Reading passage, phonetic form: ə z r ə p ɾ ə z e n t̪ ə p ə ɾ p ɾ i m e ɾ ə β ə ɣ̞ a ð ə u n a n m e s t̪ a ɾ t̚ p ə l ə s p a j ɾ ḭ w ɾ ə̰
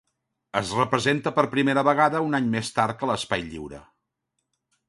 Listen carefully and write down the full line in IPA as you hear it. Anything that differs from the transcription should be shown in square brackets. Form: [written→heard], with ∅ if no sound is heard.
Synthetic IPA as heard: ə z r ə p ɾ ə z e n t̪ ə p ə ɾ p ɾ i m e ɾ ə β ə ɣ̞ a ð ə u n a [n→ɲ] m e s t̪ a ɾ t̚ [p→k] ə l ə s p a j [ɾ→ʎ] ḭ w ɾ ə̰